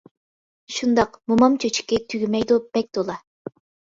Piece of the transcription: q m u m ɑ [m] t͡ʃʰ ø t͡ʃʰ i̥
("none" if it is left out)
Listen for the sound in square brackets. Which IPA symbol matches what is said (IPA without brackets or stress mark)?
m